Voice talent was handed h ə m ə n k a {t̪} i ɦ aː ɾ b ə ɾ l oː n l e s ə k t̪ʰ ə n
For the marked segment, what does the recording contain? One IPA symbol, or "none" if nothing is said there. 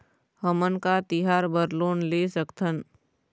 t̪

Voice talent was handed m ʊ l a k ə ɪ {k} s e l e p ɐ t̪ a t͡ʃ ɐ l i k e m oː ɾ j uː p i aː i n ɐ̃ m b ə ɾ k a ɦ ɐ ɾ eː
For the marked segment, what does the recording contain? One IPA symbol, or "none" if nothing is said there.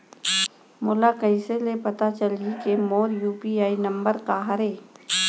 none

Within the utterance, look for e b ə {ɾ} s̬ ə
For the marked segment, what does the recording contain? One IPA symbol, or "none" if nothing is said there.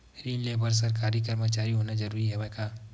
ɾ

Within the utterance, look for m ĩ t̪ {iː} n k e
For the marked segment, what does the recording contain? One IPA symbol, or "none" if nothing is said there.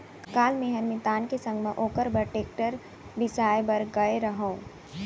aː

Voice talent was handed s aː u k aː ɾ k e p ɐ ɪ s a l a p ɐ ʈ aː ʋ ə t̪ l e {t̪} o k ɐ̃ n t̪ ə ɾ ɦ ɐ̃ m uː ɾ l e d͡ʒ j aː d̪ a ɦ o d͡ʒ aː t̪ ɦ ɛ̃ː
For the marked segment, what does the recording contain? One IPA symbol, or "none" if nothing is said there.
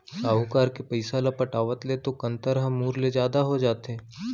t̪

